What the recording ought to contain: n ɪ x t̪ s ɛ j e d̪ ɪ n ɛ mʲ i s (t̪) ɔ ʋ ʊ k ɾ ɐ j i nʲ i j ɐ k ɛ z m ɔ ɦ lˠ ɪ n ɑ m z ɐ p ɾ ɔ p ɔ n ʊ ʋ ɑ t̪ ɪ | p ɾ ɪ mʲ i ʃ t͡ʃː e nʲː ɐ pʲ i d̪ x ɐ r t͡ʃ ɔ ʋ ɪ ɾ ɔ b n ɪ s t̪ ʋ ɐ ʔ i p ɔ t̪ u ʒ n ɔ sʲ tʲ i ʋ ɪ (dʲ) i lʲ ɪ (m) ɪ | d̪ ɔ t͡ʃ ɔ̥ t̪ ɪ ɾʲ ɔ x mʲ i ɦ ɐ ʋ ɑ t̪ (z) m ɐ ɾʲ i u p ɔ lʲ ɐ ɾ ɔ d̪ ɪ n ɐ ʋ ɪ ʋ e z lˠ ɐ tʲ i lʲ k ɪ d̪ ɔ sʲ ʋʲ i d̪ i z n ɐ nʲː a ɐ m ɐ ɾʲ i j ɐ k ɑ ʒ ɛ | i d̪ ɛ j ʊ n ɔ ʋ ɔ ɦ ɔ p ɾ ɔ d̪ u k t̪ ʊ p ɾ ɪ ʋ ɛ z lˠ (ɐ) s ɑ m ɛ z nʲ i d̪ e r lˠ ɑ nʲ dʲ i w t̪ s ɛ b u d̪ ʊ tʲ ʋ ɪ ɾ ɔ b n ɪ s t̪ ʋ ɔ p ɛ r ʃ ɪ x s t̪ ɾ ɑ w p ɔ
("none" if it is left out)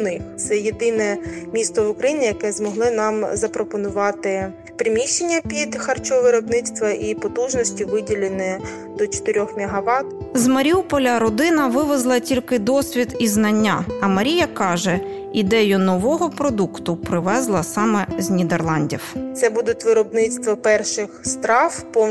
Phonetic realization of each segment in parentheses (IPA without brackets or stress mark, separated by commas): t̪, dʲ, n, z, ɐ